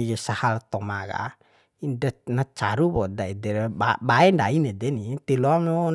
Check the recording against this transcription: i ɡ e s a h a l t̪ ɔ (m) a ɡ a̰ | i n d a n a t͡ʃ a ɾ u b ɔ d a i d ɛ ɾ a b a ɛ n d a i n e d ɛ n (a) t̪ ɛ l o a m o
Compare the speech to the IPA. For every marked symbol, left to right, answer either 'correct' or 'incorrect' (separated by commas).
correct, incorrect